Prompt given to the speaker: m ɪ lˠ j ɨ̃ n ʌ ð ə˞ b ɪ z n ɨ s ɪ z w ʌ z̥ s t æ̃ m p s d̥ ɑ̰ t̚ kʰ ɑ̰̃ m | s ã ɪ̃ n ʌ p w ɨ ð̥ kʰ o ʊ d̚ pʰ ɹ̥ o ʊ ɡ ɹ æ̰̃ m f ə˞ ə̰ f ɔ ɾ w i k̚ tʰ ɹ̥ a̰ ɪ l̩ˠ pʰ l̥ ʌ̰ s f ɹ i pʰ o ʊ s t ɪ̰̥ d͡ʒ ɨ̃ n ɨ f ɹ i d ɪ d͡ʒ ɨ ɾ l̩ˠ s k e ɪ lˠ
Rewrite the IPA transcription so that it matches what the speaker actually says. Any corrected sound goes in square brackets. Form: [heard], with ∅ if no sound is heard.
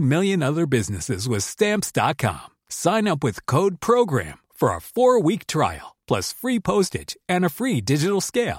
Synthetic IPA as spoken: m ɪ lˠ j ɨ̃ n ʌ ð ə˞ b ɪ z n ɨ s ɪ z w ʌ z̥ s t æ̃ m p s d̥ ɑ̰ t̚ kʰ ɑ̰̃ m | s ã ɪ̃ n ʌ p w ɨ ð̥ kʰ o ʊ d̚ pʰ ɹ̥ o ʊ ɡ ɹ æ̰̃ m f ə˞ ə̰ f ɔ [ɹ] w i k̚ tʰ ɹ̥ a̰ ɪ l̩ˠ pʰ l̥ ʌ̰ s f ɹ i pʰ o ʊ s t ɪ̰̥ d͡ʒ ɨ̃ n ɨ f ɹ i d ɪ d͡ʒ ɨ ɾ l̩ˠ s k e ɪ lˠ